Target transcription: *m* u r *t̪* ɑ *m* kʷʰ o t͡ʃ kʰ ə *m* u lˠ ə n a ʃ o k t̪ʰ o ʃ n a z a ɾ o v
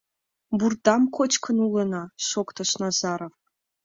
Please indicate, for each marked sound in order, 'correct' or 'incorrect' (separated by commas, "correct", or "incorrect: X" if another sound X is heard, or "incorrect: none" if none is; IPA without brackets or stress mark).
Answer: incorrect: b, incorrect: d̪, correct, incorrect: n